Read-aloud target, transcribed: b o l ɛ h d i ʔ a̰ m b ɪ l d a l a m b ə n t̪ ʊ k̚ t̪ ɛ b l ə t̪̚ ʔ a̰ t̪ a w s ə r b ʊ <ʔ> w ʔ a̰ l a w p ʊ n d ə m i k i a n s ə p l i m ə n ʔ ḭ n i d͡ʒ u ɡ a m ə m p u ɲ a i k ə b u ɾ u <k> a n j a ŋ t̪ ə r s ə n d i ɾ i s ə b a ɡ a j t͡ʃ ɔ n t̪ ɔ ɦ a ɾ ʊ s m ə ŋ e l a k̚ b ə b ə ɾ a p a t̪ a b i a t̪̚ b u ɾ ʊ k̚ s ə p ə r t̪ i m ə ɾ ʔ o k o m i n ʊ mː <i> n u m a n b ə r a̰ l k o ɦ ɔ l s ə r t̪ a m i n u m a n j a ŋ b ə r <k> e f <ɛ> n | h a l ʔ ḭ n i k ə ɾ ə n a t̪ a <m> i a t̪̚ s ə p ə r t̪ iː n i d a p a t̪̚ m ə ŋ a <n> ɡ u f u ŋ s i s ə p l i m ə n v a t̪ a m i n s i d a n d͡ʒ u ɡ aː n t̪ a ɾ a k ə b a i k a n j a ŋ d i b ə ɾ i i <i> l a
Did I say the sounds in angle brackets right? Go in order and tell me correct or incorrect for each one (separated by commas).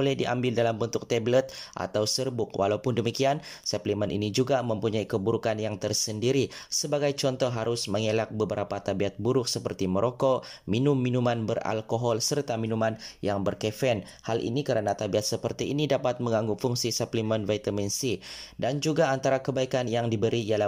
incorrect, correct, correct, correct, correct, incorrect, incorrect, incorrect